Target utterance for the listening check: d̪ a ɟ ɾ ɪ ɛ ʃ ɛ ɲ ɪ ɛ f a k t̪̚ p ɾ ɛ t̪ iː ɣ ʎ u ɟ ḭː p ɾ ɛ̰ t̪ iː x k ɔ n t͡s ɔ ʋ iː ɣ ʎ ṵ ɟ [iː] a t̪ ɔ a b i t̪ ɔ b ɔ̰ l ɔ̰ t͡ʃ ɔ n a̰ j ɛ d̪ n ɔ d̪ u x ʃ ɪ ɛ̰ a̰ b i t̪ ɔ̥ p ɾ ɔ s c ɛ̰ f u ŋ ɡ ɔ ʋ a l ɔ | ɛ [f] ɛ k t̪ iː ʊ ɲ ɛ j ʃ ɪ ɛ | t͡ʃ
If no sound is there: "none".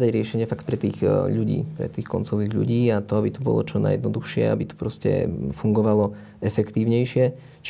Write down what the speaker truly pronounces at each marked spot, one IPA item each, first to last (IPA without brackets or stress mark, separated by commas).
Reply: iː, f